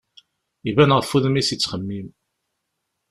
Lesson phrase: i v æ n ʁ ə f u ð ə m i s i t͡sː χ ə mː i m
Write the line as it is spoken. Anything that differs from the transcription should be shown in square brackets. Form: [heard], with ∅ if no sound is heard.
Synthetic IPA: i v æ n ʁ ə f u ð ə m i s i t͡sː χ ə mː i m